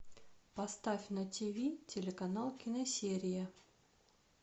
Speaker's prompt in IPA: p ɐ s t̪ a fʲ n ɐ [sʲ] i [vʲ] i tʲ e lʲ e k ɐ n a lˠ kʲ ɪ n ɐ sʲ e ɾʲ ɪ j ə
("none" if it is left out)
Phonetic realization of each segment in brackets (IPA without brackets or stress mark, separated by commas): tʲ, vʲ